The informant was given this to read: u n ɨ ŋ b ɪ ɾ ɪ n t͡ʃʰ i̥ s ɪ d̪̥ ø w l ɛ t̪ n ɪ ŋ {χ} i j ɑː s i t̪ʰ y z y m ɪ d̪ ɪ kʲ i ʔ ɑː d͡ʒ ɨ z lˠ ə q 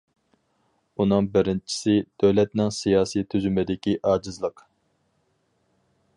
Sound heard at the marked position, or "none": s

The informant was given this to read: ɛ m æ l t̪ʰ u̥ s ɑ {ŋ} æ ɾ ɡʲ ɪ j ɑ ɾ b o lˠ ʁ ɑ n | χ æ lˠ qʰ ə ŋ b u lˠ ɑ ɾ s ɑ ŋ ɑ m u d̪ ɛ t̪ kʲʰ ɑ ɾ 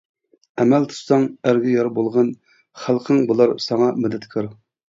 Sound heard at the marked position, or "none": ŋ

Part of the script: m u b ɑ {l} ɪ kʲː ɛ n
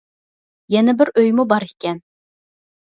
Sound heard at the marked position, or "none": ɾ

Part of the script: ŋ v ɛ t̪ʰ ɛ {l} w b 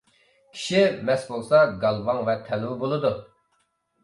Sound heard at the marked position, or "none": l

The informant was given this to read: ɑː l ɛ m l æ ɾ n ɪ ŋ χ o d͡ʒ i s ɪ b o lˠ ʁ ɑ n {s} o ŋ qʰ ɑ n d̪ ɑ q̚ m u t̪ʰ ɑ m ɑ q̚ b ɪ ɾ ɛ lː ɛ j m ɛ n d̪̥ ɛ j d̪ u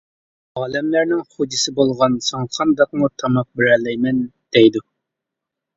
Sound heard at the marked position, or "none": s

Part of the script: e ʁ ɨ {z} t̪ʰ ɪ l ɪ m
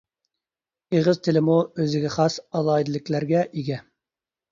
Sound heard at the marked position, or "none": z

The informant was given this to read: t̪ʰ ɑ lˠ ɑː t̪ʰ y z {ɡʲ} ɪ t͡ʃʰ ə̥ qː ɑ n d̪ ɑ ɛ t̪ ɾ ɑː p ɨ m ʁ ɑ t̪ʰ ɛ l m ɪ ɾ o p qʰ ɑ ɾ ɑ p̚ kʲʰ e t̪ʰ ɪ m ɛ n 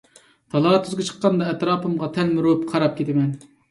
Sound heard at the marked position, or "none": ɡʲ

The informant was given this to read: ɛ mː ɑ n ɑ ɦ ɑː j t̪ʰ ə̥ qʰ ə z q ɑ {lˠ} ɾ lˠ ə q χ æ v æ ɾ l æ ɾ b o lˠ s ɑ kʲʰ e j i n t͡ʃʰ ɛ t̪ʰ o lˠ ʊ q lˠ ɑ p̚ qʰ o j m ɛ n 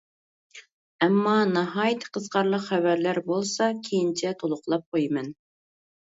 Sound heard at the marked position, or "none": none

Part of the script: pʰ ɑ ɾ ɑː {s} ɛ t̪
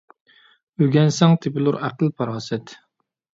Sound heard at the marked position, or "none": s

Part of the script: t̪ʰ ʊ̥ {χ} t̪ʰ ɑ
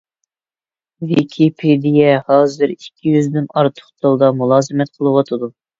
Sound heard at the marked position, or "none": χ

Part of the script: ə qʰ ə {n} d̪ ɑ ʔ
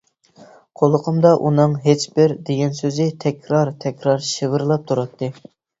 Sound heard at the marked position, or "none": m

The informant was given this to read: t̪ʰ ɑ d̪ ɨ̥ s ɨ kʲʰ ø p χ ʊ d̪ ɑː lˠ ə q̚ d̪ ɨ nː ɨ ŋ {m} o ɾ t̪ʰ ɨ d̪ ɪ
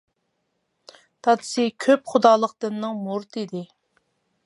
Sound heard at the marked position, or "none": m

